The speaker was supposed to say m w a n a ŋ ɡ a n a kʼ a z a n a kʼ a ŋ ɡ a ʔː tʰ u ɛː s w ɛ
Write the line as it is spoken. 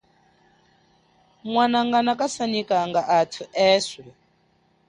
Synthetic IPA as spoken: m w a n a ŋ ɡ a n a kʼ a s a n i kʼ a ŋ ɡ a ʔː tʰ u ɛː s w ɛ